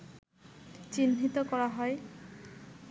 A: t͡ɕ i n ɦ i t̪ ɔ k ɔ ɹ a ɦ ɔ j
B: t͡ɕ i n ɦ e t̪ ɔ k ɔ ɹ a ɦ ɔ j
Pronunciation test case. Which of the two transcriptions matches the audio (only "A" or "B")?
A